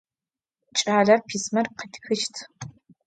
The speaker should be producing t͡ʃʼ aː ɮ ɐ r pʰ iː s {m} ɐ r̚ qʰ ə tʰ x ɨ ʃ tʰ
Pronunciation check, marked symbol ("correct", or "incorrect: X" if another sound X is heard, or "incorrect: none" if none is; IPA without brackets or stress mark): correct